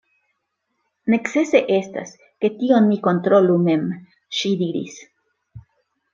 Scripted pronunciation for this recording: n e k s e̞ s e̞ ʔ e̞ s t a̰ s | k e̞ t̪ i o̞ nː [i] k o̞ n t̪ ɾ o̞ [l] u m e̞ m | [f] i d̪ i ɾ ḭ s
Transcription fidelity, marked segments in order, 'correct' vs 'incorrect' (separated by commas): correct, correct, incorrect